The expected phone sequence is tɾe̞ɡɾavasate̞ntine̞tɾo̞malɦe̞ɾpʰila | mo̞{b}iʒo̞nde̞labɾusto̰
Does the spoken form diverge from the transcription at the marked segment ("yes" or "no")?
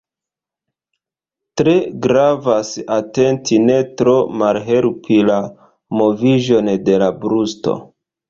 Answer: yes